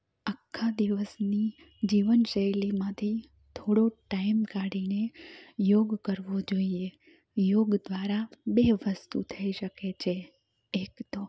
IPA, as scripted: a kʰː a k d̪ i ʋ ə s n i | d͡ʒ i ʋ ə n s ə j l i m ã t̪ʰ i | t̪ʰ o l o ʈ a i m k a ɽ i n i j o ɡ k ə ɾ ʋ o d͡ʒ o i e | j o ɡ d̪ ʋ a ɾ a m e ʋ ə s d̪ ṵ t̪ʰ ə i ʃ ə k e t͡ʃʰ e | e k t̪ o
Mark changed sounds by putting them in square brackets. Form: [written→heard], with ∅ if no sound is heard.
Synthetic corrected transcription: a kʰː a [k→∅] d̪ i ʋ ə s n i | d͡ʒ i ʋ ə n [s→ʃ] ə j l i m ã t̪ʰ i | t̪ʰ o [l→ɽ] o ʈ a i m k a ɽ i n [i→e] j o ɡ k ə ɾ ʋ o d͡ʒ o i e | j o ɡ d̪ ʋ a ɾ a [m→b] e ʋ ə s [d̪→t̪] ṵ t̪ʰ ə i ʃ ə k e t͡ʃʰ e | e k t̪ o